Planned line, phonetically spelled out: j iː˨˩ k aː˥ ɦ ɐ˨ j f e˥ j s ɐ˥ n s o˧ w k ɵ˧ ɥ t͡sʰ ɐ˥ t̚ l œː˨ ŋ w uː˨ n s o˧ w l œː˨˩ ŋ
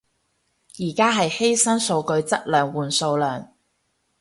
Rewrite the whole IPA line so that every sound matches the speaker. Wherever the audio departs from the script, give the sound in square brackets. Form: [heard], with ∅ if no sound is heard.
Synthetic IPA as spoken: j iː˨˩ k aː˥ ɦ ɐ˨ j [h] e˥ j s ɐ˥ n s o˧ w k ɵ˧ ɥ [t͡s] ɐ˥ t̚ l œː˨ ŋ w uː˨ n s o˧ w l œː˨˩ ŋ

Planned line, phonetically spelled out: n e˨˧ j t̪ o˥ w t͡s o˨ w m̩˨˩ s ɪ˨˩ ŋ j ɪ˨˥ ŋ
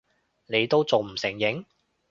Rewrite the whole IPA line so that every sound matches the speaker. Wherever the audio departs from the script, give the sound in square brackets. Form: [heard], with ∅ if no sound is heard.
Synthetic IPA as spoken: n e˨˧ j t̪ o˥ w t͡s o˨ w m̩˨˩ s ɪ˨˩ ŋ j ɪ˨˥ ŋ

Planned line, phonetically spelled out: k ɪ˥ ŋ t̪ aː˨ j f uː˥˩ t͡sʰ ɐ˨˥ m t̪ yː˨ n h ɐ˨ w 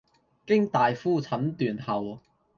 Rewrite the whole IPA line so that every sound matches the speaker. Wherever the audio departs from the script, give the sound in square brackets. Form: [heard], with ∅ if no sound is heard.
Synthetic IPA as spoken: k ɪ˥ ŋ t̪ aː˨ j f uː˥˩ t͡sʰ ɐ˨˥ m t̪ yː˨ n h ɐ˨ w

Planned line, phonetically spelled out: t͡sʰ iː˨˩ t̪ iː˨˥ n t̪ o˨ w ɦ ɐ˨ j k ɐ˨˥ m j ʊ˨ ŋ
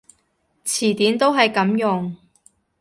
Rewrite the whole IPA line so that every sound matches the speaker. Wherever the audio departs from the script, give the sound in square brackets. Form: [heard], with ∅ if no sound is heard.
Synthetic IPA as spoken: t͡sʰ iː˨˩ t̪ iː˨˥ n t̪ [o˥] w ɦ ɐ˨ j k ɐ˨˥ m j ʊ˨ ŋ

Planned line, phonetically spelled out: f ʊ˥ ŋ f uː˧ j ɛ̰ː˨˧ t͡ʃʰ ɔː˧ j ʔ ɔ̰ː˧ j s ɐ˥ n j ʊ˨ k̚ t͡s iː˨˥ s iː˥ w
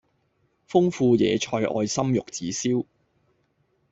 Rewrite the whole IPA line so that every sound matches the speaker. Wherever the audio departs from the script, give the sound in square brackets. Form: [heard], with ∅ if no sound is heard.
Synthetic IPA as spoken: f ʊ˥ ŋ f uː˧ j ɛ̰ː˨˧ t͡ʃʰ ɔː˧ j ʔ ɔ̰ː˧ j s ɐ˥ [m] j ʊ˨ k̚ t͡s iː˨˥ s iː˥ w

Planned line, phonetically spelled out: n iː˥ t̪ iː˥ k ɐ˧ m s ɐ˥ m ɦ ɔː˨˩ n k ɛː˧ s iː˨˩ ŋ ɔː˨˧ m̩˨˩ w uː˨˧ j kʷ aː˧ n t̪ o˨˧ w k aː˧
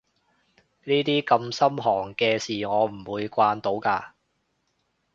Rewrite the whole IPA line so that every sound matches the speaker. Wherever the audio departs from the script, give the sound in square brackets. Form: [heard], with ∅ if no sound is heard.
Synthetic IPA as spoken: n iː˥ t̪ iː˥ k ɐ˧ m s ɐ˥ m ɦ ɔː˨˩ [ŋ] k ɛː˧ s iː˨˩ ŋ ɔː˨˧ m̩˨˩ w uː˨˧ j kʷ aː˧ n t̪ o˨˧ w k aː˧

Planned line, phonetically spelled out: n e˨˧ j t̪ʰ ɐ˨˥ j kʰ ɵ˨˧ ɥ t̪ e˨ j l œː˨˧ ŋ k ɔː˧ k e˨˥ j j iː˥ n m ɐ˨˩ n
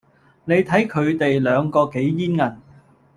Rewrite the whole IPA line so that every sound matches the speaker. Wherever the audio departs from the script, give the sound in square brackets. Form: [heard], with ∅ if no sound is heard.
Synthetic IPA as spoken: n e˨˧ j t̪ʰ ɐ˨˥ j kʰ ɵ˨˧ ɥ t̪ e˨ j l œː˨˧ ŋ k ɔː˧ k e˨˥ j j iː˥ n [ŋ] ɐ˨˩ n

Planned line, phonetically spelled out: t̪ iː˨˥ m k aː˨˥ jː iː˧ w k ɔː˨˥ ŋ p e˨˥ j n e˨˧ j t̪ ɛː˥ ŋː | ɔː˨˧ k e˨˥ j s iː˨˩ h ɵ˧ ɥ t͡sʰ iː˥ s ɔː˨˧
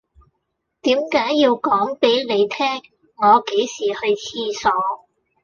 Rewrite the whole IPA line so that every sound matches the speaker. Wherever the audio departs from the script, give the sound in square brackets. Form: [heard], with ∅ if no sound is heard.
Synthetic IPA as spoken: t̪ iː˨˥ m k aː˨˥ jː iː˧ w k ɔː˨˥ ŋ p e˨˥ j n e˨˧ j [t̪ʰ] ɛː˥ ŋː | ɔː˨˧ k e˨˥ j s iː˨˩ h ɵ˧ ɥ t͡sʰ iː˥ s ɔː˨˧

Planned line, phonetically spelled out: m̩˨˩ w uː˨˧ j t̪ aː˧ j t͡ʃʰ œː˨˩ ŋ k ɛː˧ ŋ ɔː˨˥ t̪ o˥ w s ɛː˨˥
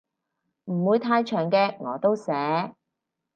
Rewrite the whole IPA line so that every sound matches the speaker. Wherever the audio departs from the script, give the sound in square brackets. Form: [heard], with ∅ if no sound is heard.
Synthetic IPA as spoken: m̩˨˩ w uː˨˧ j [t̪ʰ] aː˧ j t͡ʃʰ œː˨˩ ŋ k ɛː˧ ŋ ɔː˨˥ t̪ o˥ w s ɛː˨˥

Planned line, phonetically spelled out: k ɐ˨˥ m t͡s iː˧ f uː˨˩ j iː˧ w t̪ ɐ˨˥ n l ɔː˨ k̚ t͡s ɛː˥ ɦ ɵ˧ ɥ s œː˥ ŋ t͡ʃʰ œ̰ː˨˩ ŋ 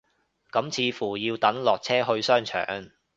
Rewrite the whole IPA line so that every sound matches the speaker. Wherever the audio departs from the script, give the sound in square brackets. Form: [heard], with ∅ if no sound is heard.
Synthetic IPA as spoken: k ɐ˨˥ m [t͡sʰ] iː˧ f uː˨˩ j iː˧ w t̪ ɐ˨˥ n l ɔː˨ k̚ [t͡sʰ] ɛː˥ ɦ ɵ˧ ɥ s œː˥ ŋ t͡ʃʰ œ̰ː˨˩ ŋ

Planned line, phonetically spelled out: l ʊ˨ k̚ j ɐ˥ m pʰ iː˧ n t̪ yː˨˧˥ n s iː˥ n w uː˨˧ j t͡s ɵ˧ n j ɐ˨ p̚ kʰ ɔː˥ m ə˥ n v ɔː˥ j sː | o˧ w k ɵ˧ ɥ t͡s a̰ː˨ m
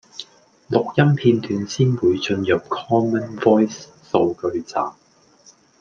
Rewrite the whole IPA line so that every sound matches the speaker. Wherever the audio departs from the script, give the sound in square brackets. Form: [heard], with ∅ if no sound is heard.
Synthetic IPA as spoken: l ʊ˨ k̚ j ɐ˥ m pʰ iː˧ n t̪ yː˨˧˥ n s iː˥ n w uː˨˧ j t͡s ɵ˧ n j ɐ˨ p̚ kʰ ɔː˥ m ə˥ n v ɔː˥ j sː | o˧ w k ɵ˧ ɥ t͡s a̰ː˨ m

